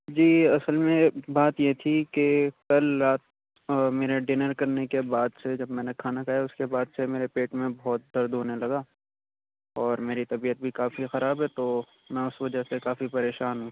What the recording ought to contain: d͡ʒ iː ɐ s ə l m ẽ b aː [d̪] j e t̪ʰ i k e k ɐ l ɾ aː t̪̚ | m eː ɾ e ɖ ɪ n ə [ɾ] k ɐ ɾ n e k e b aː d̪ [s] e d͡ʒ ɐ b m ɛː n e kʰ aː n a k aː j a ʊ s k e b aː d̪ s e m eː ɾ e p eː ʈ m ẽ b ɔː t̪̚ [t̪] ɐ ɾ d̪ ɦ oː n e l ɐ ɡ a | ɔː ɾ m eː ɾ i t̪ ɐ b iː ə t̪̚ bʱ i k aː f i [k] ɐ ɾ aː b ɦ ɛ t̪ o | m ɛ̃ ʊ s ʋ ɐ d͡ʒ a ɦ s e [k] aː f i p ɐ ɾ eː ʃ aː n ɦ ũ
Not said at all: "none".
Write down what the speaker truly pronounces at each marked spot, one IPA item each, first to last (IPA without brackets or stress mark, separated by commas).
t̪, ɾ, s, d̪, x, k